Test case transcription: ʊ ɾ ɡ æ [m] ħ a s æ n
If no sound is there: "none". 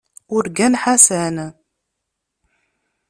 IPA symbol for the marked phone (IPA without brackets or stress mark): n